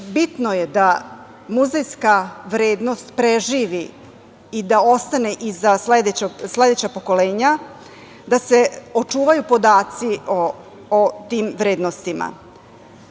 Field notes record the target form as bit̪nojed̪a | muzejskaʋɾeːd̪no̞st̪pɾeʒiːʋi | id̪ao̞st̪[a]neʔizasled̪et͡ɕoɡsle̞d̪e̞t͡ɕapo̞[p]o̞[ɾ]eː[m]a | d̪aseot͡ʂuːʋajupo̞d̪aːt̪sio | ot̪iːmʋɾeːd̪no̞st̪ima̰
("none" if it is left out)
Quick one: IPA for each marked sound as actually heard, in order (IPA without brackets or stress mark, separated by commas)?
a, k, l, ɲ